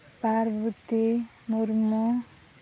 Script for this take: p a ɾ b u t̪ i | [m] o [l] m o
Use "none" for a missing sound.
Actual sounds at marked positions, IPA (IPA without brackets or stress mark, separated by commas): m, ɾ